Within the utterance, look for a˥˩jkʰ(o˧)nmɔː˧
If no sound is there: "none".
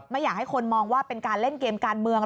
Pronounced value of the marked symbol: o˧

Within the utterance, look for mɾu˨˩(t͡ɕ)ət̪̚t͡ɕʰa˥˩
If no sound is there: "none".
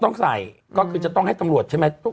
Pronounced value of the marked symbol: none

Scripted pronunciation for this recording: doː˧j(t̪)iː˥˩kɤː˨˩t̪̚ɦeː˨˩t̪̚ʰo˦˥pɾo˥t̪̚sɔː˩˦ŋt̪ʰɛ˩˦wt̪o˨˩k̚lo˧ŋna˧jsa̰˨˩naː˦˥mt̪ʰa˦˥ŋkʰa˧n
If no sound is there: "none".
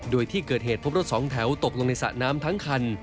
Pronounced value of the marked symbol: t̪ʰ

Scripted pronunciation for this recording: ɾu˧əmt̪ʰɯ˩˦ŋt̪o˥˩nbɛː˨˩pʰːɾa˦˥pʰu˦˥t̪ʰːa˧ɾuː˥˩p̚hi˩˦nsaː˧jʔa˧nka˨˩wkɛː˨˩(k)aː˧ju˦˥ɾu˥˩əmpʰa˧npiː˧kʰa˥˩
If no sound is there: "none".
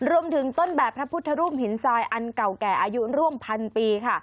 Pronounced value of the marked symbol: ʔ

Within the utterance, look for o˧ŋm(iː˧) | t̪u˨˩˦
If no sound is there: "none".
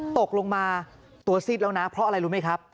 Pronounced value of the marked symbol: aː˧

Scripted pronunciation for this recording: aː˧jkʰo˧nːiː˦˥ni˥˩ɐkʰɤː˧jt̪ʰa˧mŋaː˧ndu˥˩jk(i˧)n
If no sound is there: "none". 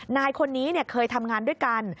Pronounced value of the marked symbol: a˧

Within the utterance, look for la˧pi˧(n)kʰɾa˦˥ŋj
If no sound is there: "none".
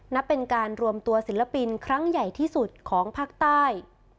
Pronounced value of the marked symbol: n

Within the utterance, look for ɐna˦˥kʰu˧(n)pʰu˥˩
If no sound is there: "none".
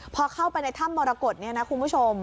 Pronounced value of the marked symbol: n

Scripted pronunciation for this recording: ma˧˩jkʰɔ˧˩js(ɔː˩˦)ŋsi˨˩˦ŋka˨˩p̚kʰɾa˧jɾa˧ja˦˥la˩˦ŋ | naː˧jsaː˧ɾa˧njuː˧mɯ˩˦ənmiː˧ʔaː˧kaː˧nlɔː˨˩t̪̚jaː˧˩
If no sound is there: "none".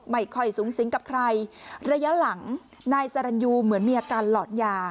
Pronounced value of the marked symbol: uː˩˦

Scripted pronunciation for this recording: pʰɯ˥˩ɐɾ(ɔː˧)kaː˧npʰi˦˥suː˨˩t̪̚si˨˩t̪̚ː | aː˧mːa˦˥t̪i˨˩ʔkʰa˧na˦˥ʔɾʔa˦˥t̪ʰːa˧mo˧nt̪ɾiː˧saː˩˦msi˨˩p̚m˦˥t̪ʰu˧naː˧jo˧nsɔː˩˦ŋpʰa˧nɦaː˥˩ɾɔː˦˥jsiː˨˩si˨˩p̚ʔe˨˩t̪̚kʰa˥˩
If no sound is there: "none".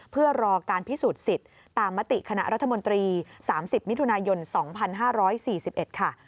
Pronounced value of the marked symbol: ɔː˧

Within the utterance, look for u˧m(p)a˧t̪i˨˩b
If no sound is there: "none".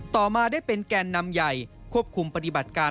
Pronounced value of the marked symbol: p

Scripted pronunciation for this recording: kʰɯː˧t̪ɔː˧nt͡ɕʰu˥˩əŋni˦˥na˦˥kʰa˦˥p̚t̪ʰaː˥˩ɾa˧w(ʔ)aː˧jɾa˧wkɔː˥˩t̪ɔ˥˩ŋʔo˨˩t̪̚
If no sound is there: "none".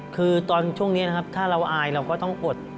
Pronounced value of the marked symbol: ʔ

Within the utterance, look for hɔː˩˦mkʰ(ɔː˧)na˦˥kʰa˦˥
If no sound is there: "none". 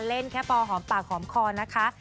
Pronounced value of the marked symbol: ɔː˧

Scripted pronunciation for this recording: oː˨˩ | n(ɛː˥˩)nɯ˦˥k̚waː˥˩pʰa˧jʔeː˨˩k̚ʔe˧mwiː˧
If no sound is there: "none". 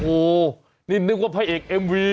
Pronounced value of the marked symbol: iː˥˩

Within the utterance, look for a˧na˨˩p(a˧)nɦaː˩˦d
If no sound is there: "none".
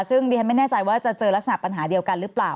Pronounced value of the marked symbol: a˧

